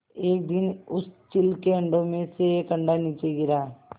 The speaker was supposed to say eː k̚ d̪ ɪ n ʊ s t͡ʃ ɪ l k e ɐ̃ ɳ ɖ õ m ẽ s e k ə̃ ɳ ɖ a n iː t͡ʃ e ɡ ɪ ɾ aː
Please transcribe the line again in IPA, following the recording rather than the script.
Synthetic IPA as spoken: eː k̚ d̪ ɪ n ʊ s t͡ʃ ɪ l k e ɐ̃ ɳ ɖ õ m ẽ s e k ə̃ ɳ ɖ a n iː t͡ʃ e ɡ ɪ ɾ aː

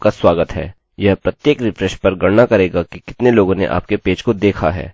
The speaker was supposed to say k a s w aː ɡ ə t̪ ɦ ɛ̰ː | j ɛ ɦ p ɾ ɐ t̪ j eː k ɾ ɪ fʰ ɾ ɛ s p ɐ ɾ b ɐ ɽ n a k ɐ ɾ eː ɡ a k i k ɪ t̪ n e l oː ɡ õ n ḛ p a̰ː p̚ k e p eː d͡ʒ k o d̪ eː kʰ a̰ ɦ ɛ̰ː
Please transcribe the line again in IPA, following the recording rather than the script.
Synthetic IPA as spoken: k a s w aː ɡ ə t̪ ɦ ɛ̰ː | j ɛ ɦ p ɾ ɐ t̪ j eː k ɾ ɪ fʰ ɾ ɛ ʃ p ɐ ɾ ɡ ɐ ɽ n a k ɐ ɾ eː ɡ a k i k ɪ t̪ n e l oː ɡ õ n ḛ ʔ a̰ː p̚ k e p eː d͡ʒ k o d̪ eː kʰ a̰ ɦ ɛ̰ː

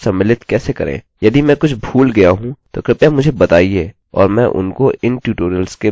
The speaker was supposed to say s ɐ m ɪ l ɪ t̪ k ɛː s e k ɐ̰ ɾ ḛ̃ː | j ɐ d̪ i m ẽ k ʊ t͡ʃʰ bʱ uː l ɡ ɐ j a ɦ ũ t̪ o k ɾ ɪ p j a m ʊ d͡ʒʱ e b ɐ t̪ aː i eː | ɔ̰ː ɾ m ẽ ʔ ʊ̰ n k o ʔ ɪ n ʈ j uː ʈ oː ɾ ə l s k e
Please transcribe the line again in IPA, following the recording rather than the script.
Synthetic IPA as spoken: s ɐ m ɪ l ɪ t̪ k ɛː s e k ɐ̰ ɾ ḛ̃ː | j ɐ d̪ i m ɛ̃ k ʊ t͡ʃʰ bʱ uː l ɡ ɐ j a ɦ ũ t̪ o k ɾ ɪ p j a m ʊ d͡ʒʱ e b ɐ t̪ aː i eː | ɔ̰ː ɾ m ɛ̃ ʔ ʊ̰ n k o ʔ ɪ n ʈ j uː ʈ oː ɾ ə l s k e

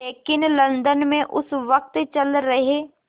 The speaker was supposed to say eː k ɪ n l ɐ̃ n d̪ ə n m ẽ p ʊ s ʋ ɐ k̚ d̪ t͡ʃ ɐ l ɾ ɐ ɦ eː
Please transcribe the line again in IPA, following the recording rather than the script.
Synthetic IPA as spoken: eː k ɪ n l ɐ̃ n d̪ ə n m ẽ ʔ ʊ s ʋ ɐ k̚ t̪ t͡ʃ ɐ l ɾ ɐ ɦ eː

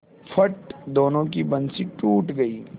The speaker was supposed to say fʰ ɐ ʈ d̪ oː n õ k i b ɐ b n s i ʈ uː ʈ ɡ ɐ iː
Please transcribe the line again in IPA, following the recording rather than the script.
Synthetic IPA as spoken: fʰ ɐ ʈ d̪ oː n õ k i b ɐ n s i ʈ uː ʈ ɡ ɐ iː

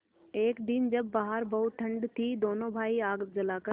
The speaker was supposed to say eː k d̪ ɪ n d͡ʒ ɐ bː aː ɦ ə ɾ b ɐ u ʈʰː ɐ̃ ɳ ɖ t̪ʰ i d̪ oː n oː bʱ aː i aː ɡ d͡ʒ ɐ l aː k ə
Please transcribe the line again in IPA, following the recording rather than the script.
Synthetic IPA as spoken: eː k d̪ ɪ n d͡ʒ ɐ bː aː ɦ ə ɾ b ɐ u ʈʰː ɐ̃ ɳ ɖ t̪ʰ i d̪ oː n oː bʱ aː i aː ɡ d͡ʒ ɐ l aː k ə

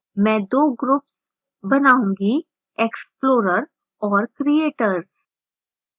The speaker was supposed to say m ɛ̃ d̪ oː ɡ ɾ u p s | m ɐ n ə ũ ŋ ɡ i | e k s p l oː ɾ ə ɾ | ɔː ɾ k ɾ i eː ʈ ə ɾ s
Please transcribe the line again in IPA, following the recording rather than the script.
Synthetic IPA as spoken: m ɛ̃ d̪ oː ɡ ɾ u p s | b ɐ n a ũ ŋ ɡ i | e k s p l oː ɾ ə ɾ | ɔː ɾ k ɾ i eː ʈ ə ɾ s

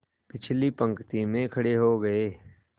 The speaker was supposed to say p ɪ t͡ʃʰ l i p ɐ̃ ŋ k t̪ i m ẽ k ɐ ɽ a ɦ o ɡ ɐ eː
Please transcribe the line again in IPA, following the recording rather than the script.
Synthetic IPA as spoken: p ɪ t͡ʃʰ l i p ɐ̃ ŋ k t̪ i m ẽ kʰ ɐ ɽ e ɦ o ɡ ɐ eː

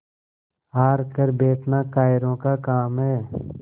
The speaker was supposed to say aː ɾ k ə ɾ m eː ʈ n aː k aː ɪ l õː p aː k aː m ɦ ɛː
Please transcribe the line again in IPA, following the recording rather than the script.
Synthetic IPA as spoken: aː ɾ k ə ɾ b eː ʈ n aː k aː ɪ ɾ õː k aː k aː m ɦ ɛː

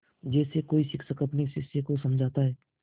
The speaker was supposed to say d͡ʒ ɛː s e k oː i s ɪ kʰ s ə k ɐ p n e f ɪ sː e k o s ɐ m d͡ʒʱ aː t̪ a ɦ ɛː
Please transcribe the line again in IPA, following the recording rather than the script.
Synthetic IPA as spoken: d͡ʒ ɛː s e k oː i s ɪ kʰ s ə k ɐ p n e s ɪ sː e k o s ɐ m d͡ʒʱ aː t̪ a ɦ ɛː

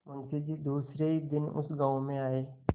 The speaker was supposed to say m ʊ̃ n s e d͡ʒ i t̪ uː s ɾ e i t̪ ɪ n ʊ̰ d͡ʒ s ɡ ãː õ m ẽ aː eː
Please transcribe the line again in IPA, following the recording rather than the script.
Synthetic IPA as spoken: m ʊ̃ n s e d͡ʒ i d̪ uː s ɾ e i d̪ ɪ n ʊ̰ s ɡ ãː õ m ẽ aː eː

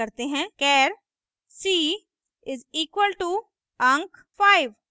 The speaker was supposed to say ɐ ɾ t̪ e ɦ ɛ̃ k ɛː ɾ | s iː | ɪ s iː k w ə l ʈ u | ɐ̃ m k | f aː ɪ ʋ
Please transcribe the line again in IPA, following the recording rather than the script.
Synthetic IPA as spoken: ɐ ɾ t̪ e ɦ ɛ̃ k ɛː ɾ | s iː | ɪ z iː k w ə l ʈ u | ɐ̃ ŋ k | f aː ɪ ʋ

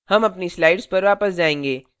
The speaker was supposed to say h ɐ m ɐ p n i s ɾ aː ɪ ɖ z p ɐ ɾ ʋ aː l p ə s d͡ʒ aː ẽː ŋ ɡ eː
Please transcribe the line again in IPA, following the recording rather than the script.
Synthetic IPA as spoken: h ɐ m ɐ p n i s l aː ɪ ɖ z p ɐ ɾ ʋ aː p ə s d͡ʒ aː ẽː ŋ ɡ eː

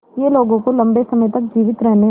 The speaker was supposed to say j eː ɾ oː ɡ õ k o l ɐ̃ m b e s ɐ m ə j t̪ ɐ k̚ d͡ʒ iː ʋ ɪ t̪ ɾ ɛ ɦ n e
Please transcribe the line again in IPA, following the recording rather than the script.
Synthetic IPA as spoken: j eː l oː ɡ õ k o l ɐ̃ m b e s ɐ m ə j t̪ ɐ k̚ d͡ʒ iː ʋ ɪ t̪ ɾ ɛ ɦ n e

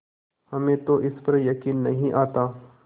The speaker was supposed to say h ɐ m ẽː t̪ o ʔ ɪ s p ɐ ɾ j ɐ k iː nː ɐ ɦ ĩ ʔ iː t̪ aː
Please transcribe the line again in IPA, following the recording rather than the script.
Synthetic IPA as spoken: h ɐ m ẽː t̪ o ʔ ɪ s p ɐ ɾ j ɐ k iː nː ɐ ɦ ĩ ʔ aː t̪ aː

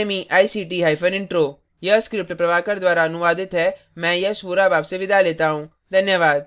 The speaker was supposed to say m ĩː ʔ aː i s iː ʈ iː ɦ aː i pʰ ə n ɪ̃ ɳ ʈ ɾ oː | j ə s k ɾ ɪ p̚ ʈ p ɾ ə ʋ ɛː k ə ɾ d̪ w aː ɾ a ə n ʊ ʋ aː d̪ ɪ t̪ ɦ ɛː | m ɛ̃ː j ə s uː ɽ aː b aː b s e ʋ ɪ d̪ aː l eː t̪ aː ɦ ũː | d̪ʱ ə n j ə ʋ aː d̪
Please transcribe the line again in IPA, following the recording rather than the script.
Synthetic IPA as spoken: m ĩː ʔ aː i s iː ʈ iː ɦ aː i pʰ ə n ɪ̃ ɳ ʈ ɾ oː | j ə s k ɾ ɪ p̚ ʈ p ɾ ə ʋ aː k ə ɾ d̪ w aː ɾ a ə n ʊ ʋ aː d̪ ɪ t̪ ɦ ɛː | m ɛ̃ː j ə s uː ɾ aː b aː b s e ʋ ɪ d̪ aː l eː t̪ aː ɦ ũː | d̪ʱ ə n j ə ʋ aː d̪

